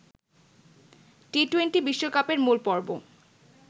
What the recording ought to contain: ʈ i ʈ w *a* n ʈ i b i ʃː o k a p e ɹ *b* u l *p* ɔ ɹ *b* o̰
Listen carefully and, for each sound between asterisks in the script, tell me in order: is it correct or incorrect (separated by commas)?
incorrect, incorrect, correct, correct